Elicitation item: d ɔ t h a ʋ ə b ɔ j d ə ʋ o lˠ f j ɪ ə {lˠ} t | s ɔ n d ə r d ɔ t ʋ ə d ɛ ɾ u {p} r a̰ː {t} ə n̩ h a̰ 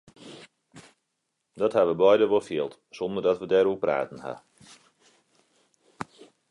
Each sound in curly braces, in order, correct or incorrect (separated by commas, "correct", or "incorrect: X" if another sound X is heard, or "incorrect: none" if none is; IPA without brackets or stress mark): correct, correct, correct